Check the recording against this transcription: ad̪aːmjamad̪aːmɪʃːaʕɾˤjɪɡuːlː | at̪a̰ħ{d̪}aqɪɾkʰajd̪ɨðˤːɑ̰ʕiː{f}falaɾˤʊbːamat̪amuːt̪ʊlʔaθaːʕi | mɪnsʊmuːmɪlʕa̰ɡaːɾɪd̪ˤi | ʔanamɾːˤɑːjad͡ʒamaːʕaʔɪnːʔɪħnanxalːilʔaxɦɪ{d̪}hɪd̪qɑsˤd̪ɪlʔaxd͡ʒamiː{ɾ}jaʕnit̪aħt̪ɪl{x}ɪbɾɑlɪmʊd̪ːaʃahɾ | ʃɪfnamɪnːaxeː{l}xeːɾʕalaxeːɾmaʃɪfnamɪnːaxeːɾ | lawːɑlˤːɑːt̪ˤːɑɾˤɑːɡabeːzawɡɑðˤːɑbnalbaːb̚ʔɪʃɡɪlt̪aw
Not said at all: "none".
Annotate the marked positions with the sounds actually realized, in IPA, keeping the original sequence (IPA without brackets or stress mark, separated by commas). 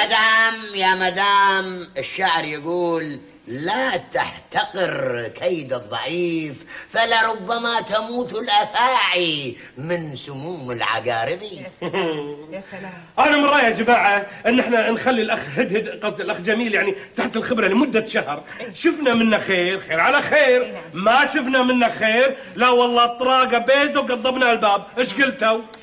t̪, f, d̪, l, x, ɾ